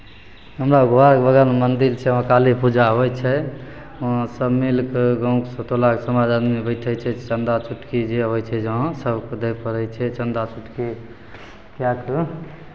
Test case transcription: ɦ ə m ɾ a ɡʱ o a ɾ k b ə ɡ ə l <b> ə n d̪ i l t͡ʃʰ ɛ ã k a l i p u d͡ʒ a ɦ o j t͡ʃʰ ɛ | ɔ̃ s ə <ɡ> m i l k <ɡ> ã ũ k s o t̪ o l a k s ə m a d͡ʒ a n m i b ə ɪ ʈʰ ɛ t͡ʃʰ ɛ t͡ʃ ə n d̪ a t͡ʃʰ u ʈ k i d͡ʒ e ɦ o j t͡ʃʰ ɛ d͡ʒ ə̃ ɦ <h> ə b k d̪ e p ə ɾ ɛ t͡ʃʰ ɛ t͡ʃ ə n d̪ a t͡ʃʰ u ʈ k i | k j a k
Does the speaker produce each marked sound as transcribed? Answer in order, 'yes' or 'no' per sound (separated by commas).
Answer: no, no, yes, no